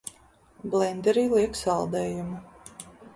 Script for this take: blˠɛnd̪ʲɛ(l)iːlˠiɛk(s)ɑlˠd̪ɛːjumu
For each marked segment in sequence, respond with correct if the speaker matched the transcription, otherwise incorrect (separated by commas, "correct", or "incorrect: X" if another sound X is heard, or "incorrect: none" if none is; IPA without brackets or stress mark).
incorrect: ɾ, correct